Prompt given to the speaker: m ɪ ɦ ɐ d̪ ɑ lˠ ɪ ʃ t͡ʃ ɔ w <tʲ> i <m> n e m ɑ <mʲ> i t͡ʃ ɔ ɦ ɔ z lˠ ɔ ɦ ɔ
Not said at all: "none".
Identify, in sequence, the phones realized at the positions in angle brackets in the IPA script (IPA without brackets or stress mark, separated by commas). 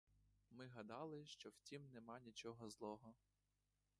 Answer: tʲ, m, nʲ